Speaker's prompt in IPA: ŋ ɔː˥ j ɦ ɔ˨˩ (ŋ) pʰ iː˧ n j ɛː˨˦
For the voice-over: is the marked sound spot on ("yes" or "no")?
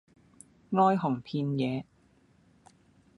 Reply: yes